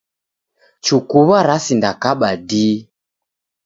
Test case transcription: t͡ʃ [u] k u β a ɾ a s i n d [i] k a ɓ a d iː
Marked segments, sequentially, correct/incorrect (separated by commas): correct, incorrect